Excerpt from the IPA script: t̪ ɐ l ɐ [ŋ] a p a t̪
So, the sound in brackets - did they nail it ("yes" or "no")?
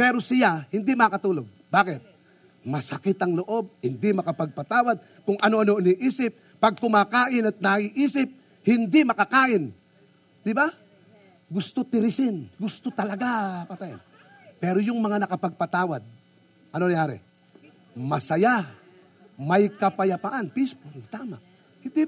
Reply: no